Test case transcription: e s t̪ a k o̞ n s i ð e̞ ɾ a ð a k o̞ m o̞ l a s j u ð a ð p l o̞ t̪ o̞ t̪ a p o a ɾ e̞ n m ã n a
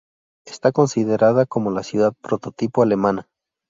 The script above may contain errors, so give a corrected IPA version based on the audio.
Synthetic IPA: e s t̪ a k o̞ n s i ð e̞ ɾ a ð a k o̞ m o̞ l a s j u ð a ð p ɾ o̞ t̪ o̞ t̪ i p o a l e̞ m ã n a